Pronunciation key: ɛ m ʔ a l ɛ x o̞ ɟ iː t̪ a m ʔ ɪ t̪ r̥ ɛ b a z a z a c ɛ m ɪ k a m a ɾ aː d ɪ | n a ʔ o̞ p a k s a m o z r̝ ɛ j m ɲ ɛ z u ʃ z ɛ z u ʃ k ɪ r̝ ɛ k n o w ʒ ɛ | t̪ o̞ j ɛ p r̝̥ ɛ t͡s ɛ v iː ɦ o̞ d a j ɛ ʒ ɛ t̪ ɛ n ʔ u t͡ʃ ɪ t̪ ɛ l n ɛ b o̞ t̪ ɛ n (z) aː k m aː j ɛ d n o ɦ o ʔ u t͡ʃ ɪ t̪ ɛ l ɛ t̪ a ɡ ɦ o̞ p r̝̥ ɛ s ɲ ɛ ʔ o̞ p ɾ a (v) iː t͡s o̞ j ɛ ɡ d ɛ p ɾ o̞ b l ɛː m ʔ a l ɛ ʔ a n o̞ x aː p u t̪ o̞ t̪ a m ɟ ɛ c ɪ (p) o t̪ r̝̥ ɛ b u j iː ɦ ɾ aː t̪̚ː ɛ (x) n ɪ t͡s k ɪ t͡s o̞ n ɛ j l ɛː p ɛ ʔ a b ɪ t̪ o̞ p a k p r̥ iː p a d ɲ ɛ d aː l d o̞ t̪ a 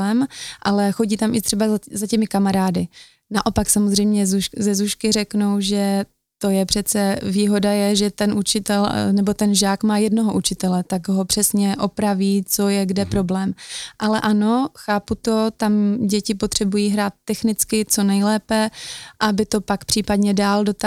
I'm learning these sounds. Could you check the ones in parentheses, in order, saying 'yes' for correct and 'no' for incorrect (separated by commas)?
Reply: no, yes, yes, yes